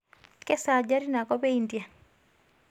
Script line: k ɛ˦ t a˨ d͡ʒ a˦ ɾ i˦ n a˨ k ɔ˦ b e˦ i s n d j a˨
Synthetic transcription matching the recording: k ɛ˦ s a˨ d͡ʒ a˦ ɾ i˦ n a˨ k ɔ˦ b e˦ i n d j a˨